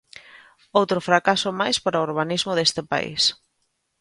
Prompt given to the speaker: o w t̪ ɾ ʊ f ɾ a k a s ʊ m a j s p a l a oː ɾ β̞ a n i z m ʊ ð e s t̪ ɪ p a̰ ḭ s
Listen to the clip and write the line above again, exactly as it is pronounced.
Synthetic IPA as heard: o w t̪ ɾ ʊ f ɾ a k a s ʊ m a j s p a ɾ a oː ɾ β̞ a n i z m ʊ ð e s t̪ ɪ p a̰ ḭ s